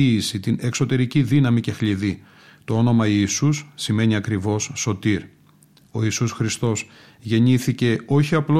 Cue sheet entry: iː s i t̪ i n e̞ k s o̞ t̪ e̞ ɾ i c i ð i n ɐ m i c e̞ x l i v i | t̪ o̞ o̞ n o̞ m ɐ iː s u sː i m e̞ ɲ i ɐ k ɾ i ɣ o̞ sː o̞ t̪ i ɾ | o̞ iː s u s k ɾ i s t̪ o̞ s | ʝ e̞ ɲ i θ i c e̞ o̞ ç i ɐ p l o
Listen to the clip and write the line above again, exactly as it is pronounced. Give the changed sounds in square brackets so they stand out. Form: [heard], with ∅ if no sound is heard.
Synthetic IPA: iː s i t̪ i n e̞ k s o̞ t̪ e̞ ɾ i c i ð i n ɐ m i c e̞ x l i [ð] i | t̪ o̞ o̞ n o̞ m ɐ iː s u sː i m e̞ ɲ i ɐ k ɾ i [v] o̞ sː o̞ t̪ i ɾ | o̞ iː s u s [x] ɾ i s t̪ o̞ s | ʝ e̞ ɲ i θ i c e̞ o̞ ç i ɐ p l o